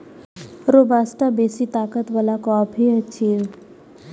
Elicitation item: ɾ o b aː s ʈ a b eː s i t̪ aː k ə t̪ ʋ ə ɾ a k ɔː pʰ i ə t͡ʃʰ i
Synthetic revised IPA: ɾ o b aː s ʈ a b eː s i t̪ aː k ə t̪ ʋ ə l a k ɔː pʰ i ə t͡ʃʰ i